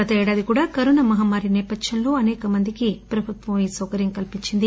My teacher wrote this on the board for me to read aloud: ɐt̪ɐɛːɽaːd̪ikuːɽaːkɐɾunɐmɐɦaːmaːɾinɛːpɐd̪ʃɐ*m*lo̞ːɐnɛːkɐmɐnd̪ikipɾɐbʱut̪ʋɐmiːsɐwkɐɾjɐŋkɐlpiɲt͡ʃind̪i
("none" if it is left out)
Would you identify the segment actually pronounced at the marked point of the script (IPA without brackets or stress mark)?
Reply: n